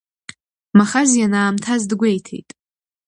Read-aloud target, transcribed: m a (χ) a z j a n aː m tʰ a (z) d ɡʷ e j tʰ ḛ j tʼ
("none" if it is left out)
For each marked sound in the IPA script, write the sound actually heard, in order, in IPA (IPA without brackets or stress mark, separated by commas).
χ, z